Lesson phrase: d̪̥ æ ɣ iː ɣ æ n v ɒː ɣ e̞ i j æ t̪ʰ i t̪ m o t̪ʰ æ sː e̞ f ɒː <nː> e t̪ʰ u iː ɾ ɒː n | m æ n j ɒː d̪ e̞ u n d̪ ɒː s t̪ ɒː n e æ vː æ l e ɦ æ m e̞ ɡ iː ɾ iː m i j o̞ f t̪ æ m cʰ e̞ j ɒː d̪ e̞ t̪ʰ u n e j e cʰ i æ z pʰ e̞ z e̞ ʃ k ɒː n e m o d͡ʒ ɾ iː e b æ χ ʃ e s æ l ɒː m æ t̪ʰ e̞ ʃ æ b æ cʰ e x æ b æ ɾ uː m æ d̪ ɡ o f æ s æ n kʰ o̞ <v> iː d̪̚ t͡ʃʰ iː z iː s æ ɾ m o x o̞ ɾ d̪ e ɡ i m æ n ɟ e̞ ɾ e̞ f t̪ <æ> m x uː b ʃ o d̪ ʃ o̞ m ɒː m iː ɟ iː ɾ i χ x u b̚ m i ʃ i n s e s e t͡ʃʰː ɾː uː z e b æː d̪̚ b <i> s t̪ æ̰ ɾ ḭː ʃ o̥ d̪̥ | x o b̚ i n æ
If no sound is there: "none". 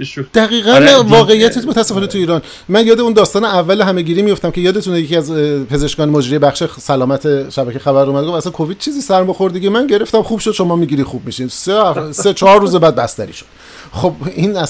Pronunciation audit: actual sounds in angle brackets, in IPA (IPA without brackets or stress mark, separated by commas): n, v, æ, æ